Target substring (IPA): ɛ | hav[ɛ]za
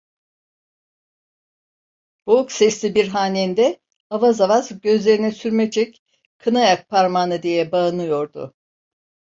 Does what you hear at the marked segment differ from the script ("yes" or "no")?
yes